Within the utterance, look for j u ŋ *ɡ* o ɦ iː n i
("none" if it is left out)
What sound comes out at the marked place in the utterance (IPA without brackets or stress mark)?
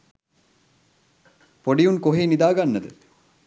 k